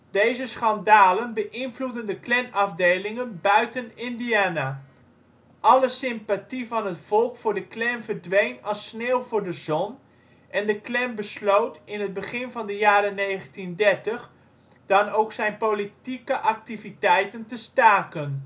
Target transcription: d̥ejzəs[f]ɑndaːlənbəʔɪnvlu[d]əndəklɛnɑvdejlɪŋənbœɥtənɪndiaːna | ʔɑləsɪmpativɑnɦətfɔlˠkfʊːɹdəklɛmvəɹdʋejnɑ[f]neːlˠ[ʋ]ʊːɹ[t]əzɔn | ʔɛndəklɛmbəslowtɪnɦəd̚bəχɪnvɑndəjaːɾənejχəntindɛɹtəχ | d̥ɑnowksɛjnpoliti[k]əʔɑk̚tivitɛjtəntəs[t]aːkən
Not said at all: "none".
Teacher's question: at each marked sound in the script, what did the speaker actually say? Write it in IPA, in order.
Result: χ, d, s, v, d, k, t

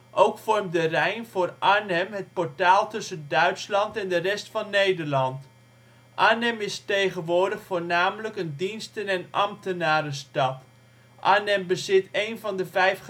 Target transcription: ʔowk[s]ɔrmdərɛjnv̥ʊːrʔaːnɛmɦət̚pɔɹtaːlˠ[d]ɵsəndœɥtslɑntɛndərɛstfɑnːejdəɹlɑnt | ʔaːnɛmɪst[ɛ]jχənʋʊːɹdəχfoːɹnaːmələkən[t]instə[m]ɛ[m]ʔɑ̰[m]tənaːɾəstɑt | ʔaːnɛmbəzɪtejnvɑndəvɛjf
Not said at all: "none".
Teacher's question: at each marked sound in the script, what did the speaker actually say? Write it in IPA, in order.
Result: f, t, e, d, n, n, m

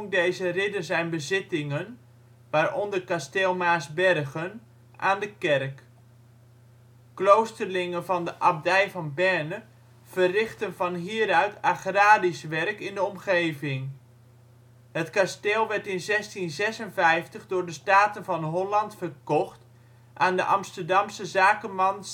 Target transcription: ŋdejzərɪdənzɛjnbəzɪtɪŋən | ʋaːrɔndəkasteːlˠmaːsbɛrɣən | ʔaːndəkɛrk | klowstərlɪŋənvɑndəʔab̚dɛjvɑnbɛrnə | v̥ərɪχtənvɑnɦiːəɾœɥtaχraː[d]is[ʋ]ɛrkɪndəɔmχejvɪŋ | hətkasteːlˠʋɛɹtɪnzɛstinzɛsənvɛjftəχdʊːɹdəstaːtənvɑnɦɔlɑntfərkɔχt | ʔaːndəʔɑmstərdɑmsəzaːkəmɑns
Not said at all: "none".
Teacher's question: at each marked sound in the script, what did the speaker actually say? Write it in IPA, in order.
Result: d, ʋ

